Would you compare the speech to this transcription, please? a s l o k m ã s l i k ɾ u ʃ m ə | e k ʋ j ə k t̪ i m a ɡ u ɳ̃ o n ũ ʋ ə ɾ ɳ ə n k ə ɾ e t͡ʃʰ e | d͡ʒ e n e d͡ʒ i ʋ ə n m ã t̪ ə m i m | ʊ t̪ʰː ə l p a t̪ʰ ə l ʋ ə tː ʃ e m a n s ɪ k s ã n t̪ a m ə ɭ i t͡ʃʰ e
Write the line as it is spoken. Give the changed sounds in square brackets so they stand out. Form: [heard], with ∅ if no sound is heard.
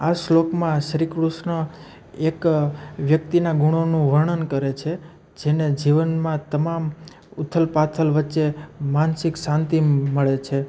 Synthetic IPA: a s l o k m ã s [ɾ] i k ɾ u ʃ [n] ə | e k ʋ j ə k t̪ i [n] a ɡ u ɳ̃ o n ũ ʋ ə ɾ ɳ ə n k ə ɾ e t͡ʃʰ e | d͡ʒ e n e d͡ʒ i ʋ ə n m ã t̪ ə m [a] m | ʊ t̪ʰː ə l p a t̪ʰ ə l ʋ ə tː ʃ e m a n s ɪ k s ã n t̪ [i] m ə ɭ [e] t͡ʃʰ e